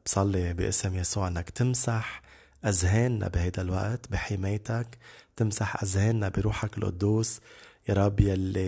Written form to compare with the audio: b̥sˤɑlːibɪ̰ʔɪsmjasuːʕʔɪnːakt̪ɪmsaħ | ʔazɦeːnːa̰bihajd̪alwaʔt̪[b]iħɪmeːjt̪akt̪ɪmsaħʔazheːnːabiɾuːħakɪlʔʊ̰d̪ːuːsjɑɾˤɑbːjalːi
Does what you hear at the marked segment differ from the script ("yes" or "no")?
no